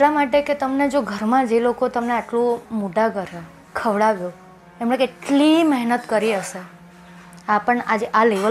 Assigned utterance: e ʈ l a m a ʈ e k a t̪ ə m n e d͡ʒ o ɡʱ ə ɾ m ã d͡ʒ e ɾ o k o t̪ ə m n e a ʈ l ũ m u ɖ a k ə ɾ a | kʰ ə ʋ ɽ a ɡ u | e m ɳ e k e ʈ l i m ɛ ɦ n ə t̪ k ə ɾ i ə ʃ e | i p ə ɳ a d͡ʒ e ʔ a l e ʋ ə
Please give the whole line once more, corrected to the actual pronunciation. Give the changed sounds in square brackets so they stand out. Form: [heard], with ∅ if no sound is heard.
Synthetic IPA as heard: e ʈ l a m a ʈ e k [e] t̪ ə m n e d͡ʒ o ɡʱ ə ɾ m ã d͡ʒ e [l] o k o t̪ ə m n e a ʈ l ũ m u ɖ a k ə ɾ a | kʰ ə ʋ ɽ a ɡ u | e m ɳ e k e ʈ l i m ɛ ɦ n ə t̪ k ə ɾ i ə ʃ e | [a] p ə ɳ a d͡ʒ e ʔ a l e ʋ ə